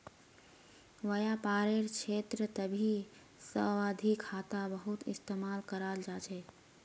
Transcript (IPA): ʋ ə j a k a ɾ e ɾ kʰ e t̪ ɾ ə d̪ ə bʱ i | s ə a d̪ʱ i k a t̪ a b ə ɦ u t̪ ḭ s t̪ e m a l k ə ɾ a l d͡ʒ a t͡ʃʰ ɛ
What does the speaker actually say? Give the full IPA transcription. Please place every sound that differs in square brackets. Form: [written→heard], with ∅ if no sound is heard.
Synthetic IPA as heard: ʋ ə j a [k→p] a ɾ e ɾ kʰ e t̪ ɾ ə [d̪→t̪] ə bʱ i | s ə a d̪ʱ i [k→kʰ] a t̪ a b ə ɦ u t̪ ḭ s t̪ e m a l k ə ɾ a l d͡ʒ a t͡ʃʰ ɛ